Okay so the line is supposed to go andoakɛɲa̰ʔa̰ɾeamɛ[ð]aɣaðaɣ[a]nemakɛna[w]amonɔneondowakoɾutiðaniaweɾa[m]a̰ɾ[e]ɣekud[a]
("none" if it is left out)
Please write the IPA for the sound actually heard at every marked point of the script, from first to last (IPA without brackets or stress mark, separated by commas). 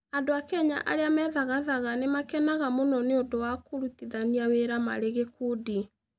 ð, a, ɣ, m, e, i